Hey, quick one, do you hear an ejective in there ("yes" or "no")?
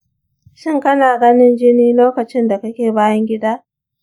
no